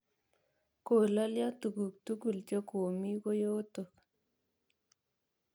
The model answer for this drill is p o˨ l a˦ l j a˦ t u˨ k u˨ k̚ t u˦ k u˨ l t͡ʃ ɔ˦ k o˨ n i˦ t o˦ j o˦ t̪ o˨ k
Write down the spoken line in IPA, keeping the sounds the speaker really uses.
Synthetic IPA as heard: k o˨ l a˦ l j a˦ t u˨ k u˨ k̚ t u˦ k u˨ l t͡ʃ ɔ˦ k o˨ m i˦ k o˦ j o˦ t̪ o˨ k